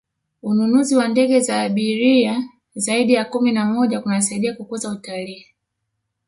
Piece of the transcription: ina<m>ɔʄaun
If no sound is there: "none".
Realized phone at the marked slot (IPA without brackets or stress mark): m